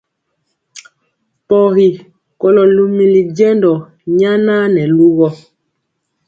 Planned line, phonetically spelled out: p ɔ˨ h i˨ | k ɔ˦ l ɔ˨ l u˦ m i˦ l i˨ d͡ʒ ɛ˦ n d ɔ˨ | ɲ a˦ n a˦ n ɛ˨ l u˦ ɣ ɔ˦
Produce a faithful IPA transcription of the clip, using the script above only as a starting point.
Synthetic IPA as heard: p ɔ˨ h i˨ | k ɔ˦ l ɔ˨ l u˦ m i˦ l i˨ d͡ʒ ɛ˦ n d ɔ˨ | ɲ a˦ n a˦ n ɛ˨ l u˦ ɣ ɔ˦